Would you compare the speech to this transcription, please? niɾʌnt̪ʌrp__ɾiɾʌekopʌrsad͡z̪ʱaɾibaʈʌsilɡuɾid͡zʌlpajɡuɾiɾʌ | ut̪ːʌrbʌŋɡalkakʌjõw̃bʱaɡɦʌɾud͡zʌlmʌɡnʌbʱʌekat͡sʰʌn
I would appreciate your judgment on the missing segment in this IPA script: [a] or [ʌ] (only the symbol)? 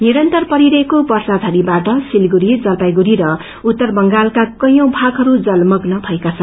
ʌ